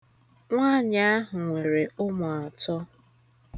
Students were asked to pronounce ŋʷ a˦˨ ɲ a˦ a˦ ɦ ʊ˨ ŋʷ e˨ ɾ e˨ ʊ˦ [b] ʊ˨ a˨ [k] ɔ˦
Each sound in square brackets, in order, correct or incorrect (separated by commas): incorrect, incorrect